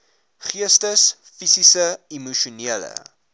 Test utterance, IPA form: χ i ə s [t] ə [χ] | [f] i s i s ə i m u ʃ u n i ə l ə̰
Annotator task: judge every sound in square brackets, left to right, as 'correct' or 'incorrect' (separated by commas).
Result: correct, incorrect, correct